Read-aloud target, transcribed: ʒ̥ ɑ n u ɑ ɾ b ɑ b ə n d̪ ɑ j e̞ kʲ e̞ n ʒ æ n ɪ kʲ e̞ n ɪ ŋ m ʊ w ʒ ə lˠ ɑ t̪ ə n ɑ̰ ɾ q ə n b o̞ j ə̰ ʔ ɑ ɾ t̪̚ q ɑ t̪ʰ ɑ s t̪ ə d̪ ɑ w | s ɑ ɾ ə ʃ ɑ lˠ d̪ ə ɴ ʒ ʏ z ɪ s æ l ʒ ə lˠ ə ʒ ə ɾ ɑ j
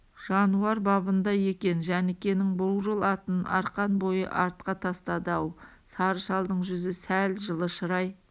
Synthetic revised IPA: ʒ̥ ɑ n u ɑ ɾ b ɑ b ə n d̪ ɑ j e̞ kʲ e̞ n ʒ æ n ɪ kʲ e̞ n ɪ ŋ b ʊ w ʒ ə lˠ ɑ t̪ ə n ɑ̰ ɾ q ɑ n b o̞ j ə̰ ʔ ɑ ɾ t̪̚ q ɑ t̪ʰ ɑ s t̪ ɑ d̪ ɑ w | s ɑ ɾ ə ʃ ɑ lˠ d̪ ə ɴ ʒ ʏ z ɪ s æ l ʒ ə lˠ ə ʃ ə ɾ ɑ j